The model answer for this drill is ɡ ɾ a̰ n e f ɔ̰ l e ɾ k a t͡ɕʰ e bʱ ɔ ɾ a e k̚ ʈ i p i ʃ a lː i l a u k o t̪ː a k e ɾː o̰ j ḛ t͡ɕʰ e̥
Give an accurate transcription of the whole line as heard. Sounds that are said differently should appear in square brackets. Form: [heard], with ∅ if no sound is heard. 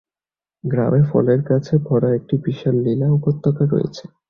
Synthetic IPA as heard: ɡ ɾ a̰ [m] e f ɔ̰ l e ɾ k a t͡ɕʰ e bʱ ɔ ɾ a e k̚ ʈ i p i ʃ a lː i l a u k o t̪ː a k [a] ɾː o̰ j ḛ t͡ɕʰ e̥